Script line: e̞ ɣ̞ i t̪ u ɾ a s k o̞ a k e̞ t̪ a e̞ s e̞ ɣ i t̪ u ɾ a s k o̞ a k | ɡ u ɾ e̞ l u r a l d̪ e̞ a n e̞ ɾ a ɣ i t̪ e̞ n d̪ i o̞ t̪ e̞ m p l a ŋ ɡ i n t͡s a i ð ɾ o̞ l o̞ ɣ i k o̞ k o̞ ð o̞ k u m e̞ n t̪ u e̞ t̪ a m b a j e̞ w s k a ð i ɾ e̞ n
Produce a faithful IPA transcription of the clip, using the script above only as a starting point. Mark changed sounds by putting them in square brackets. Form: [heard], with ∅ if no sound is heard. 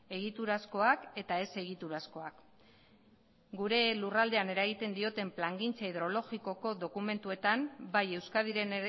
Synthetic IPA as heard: e̞ ɣ̞ i t̪ u ɾ a s k o̞ a k e̞ t̪ a e̞ s e̞ ɣ i t̪ u ɾ a s k o̞ a k | ɡ u ɾ e̞ l u r a l d̪ e̞ a n e̞ ɾ a ɣ i t̪ e̞ n d̪ i o̞ t̪ e̞ m p l a ŋ ɡ i n t͡s a i ð ɾ o̞ l o̞ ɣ i k o̞ k o̞ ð o̞ k u m e̞ n t̪ u e̞ t̪ a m b a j e̞ w s k a ð i ɾ e̞ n

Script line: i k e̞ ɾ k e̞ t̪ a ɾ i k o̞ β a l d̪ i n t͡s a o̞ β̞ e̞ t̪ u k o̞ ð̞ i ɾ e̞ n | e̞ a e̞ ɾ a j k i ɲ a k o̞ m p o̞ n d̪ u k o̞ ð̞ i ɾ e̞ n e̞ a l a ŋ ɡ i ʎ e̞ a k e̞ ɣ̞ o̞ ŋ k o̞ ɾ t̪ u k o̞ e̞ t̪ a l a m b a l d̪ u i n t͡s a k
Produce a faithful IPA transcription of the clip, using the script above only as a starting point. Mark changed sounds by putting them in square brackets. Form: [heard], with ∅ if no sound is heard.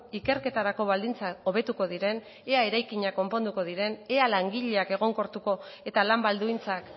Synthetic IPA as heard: i k e̞ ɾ k e̞ t̪ a ɾ [a] k o̞ β a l d̪ i n t͡s a o̞ β̞ e̞ t̪ u k o̞ ð̞ i ɾ e̞ n | e̞ a e̞ ɾ a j k i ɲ a k o̞ m p o̞ n d̪ u k o̞ ð̞ i ɾ e̞ n e̞ a l a ŋ ɡ i ʎ e̞ a k e̞ ɣ̞ o̞ ŋ k o̞ ɾ t̪ u k o̞ e̞ t̪ a l a m b a l d̪ u i n t͡s a k

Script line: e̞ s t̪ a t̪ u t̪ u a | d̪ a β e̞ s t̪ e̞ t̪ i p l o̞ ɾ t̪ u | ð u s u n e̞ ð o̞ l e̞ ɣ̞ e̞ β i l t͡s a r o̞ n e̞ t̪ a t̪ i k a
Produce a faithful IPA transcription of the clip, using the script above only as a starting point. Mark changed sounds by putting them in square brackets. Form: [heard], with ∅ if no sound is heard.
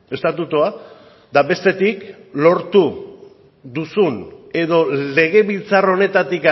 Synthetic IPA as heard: e̞ s t̪ a t̪ u t̪ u a | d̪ a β e̞ s t̪ e̞ t̪ i [k] l o̞ ɾ t̪ u | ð u s u n e̞ ð o̞ l e̞ ɣ̞ e̞ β i l t͡s a r o̞ n e̞ t̪ a t̪ i k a

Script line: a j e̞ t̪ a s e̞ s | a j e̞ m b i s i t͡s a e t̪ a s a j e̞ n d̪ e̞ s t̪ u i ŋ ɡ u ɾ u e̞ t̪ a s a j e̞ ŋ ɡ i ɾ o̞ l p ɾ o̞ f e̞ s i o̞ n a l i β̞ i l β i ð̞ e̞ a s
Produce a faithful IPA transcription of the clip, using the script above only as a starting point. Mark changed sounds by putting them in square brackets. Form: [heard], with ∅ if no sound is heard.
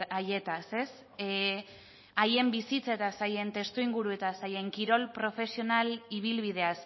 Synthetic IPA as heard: a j e̞ t̪ a s e̞ s | a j e̞ m b i s i t͡s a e t̪ a s a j e̞ n [t̪] e̞ s t̪ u i ŋ ɡ u ɾ u e̞ t̪ a s a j e̞ ŋ [k] i ɾ o̞ l p ɾ o̞ f e̞ s i o̞ n a l i β̞ i l β i ð̞ e̞ a s

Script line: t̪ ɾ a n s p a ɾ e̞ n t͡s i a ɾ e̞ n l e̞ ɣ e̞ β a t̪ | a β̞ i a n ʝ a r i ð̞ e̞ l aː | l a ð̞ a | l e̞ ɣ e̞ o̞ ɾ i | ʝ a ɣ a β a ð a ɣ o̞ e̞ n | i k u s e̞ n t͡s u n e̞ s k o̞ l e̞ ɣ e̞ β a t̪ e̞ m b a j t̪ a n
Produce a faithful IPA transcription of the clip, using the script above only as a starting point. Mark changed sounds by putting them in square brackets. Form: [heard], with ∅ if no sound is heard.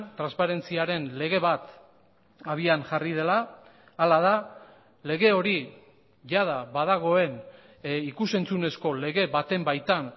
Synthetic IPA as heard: t̪ ɾ a n s p a ɾ e̞ n t͡s i a ɾ e̞ n l e̞ ɣ e̞ β a t̪ | a β̞ i a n ʝ a r i ð̞ e̞ l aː | l a ð̞ a | l e̞ ɣ e̞ o̞ ɾ i | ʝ a [ð] a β a ð a ɣ o̞ e̞ n | i k u s e̞ n t͡s u n e̞ s k o̞ l e̞ ɣ e̞ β a t̪ e̞ m b a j t̪ a n

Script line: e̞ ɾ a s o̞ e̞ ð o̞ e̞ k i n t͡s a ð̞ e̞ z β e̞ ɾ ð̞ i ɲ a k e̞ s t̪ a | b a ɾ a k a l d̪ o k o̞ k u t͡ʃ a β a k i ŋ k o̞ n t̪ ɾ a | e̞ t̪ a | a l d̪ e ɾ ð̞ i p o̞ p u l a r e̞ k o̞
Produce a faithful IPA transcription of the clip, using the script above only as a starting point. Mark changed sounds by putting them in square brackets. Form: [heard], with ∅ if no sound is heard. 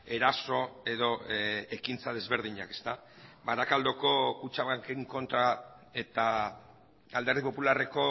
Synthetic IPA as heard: e̞ ɾ a s o̞ e̞ ð o̞ e̞ k i n t͡s a ð̞ e̞ z β e̞ ɾ ð̞ i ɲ a k e̞ s t̪ a | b a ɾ a k a l d̪ o k o̞ k u t͡ʃ a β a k [e] ŋ k o̞ n t̪ ɾ a | e̞ t̪ a | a l d̪ e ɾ ð̞ i p o̞ p u l a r e̞ k o̞

